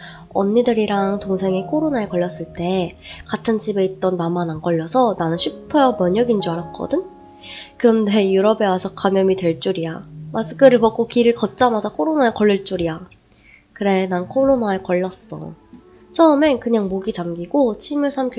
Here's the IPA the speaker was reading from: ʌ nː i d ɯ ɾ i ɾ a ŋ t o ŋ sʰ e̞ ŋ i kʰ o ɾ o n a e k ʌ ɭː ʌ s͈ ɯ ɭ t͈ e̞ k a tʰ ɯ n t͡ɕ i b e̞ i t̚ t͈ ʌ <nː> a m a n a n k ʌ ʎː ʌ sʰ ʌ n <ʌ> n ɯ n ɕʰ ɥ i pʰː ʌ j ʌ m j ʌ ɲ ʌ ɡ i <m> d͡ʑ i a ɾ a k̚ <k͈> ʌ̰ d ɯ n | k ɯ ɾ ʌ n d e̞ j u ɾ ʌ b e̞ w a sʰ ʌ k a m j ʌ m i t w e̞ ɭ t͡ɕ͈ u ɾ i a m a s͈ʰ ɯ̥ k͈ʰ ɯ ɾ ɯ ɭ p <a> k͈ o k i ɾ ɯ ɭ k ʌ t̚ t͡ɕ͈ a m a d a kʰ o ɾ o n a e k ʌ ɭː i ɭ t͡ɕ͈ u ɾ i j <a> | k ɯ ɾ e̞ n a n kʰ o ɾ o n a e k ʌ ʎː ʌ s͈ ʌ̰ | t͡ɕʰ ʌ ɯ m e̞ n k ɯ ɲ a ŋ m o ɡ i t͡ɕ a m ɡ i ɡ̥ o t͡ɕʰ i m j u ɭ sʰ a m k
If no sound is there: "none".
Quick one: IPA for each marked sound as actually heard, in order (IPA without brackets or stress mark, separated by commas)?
nː, a, n, k͈, ʌ, a